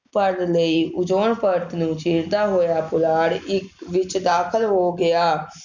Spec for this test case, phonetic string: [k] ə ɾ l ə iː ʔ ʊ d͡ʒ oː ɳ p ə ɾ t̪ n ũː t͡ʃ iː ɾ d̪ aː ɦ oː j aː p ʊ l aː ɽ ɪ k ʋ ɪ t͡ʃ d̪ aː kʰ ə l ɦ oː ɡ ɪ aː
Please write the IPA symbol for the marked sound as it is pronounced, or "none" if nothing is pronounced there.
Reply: p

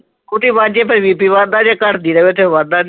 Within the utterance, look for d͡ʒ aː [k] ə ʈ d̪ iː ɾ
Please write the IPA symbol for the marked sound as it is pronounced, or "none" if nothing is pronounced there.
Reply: k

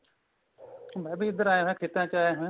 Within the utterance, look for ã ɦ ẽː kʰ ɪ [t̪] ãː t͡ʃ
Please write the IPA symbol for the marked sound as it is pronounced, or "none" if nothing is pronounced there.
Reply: t̪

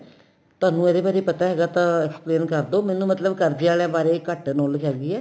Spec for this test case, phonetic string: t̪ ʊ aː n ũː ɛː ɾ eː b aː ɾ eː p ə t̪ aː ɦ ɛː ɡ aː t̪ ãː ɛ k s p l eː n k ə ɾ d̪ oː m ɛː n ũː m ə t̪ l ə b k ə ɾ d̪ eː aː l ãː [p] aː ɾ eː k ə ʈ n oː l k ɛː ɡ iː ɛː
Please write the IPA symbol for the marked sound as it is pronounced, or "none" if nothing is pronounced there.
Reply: b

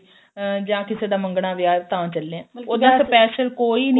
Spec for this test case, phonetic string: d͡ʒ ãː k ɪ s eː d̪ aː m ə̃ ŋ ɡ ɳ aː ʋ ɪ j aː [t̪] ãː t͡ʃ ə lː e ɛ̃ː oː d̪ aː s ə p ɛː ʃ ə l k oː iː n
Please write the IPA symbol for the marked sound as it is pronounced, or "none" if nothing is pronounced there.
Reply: t̪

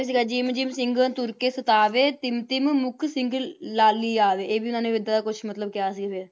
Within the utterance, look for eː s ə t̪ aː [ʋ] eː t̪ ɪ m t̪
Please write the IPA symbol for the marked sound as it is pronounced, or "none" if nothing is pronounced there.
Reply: ʋ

